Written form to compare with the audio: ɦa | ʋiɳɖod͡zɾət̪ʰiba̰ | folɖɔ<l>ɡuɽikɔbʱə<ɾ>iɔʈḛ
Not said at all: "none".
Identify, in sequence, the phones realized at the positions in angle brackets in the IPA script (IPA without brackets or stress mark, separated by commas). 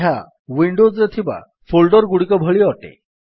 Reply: ɾ, ɭ